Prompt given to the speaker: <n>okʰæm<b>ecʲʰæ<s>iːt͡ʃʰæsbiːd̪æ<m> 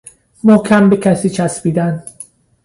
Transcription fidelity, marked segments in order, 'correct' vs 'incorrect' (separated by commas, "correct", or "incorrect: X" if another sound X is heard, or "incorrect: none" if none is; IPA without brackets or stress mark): incorrect: m, correct, correct, incorrect: n